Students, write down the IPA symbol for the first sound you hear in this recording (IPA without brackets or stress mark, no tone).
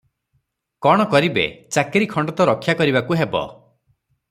k